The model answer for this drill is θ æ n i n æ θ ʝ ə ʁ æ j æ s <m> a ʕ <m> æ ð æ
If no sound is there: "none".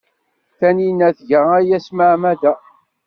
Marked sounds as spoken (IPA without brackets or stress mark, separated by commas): m, m